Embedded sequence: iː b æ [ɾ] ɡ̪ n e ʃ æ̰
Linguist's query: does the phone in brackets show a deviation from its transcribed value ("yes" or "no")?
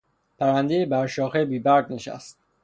no